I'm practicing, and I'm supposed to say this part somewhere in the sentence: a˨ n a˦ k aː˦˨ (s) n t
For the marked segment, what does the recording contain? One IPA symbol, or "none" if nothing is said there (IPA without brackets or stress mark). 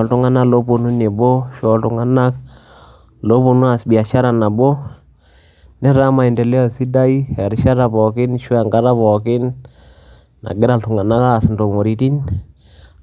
s